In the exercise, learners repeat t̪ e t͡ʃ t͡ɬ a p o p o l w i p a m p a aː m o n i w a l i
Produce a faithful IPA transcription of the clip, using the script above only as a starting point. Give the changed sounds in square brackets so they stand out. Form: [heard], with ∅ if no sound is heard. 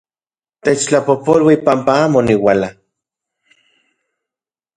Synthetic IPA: t̪ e t͡ʃ t͡ɬ a p o p o l w i p a m p a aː m o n i w a l [a]